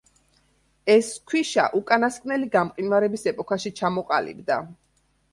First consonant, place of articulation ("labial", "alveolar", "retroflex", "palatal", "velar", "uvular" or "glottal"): alveolar